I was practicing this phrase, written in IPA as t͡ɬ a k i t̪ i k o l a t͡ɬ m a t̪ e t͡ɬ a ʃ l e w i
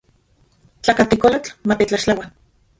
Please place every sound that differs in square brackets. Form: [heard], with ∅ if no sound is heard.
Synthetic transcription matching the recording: t͡ɬ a k [a] t̪ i k o l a t͡ɬ m a t̪ e t͡ɬ a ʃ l [a] w [a]

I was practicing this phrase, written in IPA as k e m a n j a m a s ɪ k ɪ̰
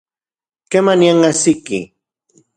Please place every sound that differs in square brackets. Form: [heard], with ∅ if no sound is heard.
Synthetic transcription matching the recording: k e m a n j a [ŋ] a s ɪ k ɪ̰

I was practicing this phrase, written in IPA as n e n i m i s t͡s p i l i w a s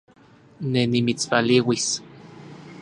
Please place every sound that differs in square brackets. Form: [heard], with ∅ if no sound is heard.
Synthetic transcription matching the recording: n e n i m i [∅] t͡s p [a] l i w [i] s

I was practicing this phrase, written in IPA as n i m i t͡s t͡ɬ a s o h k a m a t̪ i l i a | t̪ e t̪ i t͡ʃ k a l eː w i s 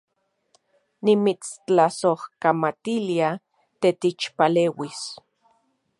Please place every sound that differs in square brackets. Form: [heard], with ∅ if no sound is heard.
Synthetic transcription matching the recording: n i m i t͡s t͡ɬ a s o h k a m a t̪ i l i a | t̪ e t̪ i t͡ʃ [p] a l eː w i s

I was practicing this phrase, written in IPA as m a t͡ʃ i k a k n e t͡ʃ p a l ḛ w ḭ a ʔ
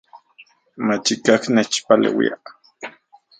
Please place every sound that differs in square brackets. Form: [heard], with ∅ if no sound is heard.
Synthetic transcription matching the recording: m a t͡ʃ i k a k n e t͡ʃ p a l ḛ w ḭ a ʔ

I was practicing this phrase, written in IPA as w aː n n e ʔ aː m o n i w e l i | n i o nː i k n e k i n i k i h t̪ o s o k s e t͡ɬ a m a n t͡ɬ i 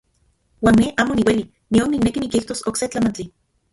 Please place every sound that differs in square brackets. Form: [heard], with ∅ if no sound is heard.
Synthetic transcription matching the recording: w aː n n e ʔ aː m o n i w e l i | n i o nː i k n e k i n i k i h t̪ o s o k s e t͡ɬ a m a n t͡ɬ i

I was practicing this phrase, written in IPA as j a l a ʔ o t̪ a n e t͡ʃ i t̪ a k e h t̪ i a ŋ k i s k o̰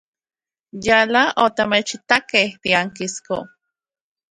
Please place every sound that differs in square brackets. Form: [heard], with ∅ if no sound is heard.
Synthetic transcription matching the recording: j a l a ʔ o t̪ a [m] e t͡ʃ i t̪ a k e h t̪ i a ŋ k i s k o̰

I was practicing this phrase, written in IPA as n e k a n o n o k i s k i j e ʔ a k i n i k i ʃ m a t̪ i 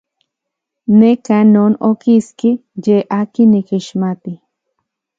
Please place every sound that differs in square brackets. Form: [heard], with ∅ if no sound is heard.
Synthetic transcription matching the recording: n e k a n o n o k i s k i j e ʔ a k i n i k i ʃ m a t̪ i

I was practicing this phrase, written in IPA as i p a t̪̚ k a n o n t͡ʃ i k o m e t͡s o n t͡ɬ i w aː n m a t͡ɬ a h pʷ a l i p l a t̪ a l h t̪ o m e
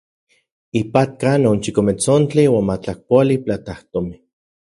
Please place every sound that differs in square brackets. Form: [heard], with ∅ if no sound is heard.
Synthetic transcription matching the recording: i p a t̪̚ k a n o n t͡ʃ i k o m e t͡s o n t͡ɬ i w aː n m a t͡ɬ a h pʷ a l i p l a t̪ a [∅] h t̪ o m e

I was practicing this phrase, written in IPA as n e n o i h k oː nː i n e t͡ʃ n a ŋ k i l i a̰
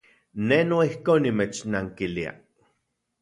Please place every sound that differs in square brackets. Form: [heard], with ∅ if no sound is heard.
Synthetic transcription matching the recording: n e n o i h k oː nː i [m] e t͡ʃ n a ŋ k i l i a̰

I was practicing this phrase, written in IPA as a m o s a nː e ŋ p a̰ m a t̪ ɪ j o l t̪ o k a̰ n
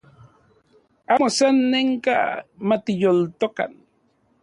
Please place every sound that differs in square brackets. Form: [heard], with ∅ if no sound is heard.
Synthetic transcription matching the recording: a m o s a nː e ŋ [k] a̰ m a t̪ ɪ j o l t̪ o k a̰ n

